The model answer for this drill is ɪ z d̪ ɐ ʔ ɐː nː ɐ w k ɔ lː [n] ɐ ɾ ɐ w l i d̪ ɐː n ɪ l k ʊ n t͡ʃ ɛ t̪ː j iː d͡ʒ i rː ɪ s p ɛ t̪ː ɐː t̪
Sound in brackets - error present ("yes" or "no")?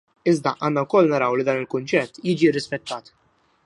no